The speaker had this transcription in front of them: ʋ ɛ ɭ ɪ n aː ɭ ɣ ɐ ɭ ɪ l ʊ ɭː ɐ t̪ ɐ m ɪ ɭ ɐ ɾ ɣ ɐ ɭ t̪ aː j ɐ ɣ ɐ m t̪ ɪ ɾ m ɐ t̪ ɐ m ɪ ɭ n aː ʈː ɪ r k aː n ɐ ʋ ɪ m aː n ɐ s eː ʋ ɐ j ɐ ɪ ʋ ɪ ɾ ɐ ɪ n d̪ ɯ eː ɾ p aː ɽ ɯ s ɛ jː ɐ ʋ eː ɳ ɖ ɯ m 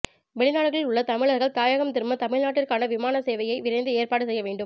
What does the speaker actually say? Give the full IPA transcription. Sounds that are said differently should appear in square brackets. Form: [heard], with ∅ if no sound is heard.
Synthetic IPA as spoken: ʋ ɛ ɭ ɪ n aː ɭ ɣ ɐ ɭ ɪ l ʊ ɭː ɐ t̪ ɐ m ɪ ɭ ɐ ɾ ɣ ɐ ɭ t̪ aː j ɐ ɣ ɐ m t̪ ɪ ɾ m ɐ t̪ ɐ m ɪ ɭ n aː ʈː ɪ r k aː n ɐ ʋ ɪ m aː n ɐ s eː ʋ ɐ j ɐ ɪ ʋ ɪ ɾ ɐ ɪ n d̪ ɯ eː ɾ p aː ɽ ɯ s ɛ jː ɐ ʋ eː ɳ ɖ ɯ m